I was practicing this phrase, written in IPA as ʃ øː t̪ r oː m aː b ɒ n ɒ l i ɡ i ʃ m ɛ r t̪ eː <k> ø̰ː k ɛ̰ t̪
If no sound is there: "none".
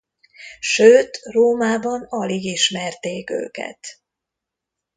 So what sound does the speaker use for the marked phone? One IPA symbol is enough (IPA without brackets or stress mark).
k